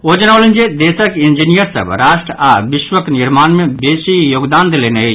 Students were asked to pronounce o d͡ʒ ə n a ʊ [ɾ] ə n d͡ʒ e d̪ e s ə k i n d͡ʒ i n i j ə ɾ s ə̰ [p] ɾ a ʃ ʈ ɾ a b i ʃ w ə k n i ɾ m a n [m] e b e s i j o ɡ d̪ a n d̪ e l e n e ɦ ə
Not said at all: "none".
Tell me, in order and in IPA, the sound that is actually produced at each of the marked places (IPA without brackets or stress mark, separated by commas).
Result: l, b, m